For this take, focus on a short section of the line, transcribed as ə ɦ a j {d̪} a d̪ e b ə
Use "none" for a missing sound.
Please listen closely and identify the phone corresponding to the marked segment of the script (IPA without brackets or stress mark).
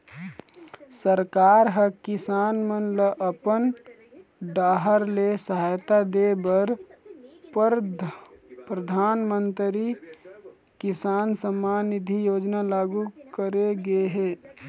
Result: t̪